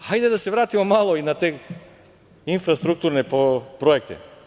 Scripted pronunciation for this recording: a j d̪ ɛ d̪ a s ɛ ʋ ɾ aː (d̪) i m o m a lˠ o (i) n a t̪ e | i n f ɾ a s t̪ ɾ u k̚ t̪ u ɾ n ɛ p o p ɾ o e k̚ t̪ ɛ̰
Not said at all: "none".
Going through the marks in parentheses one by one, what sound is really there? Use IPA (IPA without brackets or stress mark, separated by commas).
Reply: t̪, i